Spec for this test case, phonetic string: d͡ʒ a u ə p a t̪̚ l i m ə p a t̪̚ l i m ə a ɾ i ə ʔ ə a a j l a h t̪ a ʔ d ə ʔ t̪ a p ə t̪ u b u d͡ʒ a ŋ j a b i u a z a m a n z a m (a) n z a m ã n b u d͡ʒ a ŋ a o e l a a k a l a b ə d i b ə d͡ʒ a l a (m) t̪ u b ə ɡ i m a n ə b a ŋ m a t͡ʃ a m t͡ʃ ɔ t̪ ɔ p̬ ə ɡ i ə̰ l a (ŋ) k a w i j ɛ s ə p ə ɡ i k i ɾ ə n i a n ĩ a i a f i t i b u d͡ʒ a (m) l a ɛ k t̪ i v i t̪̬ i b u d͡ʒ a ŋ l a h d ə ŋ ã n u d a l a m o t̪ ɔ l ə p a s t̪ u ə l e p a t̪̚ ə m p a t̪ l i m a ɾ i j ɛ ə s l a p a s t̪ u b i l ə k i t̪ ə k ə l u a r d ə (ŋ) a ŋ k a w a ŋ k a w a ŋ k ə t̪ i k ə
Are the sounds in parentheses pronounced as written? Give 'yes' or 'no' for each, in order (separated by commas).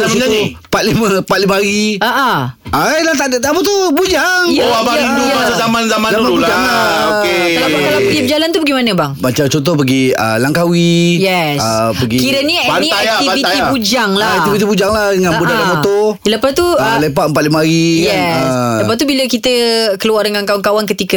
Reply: yes, no, yes, no, yes